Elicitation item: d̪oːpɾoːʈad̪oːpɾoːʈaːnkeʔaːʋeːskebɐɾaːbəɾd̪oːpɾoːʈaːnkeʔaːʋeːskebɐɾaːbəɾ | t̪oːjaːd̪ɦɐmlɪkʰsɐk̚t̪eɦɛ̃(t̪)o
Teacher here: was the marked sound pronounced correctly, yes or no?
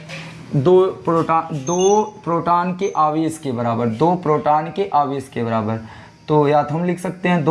no